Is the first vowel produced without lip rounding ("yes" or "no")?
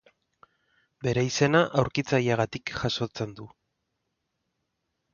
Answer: yes